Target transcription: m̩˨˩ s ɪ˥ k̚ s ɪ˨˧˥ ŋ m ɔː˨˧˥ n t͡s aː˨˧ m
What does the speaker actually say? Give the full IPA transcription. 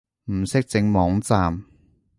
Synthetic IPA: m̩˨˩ s ɪ˥ k̚ t͡s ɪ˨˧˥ ŋ m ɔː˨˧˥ ŋ t͡s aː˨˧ m

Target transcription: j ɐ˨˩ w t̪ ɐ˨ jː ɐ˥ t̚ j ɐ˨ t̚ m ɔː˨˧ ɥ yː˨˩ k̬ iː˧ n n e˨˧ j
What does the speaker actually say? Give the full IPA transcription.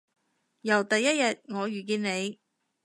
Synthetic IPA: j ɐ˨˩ w t̪ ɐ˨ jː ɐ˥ t̚ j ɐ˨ t̚ ŋ ɔː˨˧ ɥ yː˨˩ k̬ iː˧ n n e˨˧ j

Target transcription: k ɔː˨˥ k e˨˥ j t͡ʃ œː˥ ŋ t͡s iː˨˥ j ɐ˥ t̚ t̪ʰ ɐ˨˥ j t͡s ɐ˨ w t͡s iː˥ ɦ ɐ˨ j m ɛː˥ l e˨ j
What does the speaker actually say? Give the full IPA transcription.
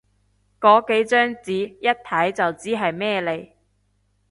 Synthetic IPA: k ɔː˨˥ k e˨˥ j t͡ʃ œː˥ ŋ t͡s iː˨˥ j ɐ˥ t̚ t̪ʰ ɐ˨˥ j t͡s ɐ˨ w t͡s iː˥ ɦ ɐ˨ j m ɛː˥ l e˨ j

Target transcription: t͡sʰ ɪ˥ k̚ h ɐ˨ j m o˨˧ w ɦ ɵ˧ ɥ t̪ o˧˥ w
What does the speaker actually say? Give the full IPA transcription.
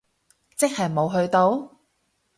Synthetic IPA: t͡s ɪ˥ k̚ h ɐ˨ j m o˨˧ w ɦ ɵ˧ ɥ t̪ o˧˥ w

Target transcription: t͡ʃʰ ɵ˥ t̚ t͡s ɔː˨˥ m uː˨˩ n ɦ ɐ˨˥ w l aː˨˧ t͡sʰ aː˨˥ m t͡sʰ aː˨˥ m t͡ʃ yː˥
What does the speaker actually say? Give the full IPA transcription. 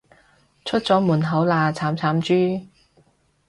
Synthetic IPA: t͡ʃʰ ɵ˥ t̚ t͡s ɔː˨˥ m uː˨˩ n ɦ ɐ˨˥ w l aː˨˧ t͡sʰ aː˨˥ m t͡sʰ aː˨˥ m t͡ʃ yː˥

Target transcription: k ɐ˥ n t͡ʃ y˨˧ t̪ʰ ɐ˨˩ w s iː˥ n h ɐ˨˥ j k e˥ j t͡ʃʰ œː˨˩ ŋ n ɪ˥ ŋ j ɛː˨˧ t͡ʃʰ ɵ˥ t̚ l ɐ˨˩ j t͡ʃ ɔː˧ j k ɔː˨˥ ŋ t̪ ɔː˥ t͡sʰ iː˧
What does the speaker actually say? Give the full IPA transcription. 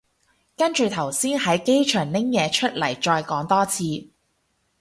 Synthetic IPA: k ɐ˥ n t͡ʃ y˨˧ t̪ʰ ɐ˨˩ w s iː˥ n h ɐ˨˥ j k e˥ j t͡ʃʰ œː˨˩ ŋ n ɪ˥ ŋ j ɛː˨˧ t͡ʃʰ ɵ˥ t̚ l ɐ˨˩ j t͡ʃ ɔː˧ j k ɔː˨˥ ŋ t̪ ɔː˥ t͡sʰ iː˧

